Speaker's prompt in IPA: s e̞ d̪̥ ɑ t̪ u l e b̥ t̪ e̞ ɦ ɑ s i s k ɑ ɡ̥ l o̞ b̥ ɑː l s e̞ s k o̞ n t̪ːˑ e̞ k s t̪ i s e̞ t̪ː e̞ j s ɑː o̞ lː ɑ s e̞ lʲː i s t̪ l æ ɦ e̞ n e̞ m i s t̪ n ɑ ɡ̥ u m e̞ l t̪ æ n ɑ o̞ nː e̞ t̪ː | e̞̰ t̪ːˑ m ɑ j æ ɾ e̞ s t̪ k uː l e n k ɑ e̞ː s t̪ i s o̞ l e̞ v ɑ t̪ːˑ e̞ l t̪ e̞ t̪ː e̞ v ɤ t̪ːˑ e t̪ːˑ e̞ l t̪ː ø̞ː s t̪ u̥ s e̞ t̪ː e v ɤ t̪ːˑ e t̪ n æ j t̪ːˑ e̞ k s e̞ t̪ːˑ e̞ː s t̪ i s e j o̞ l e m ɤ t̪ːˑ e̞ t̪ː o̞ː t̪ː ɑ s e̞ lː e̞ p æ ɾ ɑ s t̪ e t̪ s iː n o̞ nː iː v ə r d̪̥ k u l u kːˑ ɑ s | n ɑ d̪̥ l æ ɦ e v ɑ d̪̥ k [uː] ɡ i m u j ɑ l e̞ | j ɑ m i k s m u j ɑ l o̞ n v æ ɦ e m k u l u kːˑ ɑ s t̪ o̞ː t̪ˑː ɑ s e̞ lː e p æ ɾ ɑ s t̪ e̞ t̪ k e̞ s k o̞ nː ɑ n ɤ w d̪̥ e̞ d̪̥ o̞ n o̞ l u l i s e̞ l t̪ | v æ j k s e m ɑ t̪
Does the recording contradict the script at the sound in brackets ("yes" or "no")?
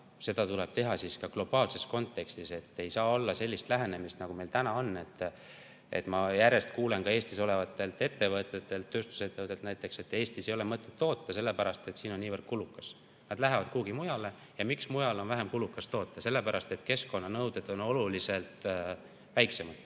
no